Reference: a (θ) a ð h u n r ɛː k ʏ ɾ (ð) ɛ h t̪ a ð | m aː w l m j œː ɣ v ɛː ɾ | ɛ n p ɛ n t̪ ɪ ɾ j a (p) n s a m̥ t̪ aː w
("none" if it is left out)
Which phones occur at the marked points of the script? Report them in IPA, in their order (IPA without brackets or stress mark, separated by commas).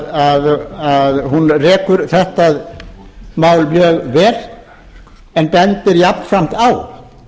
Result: ð, θ, p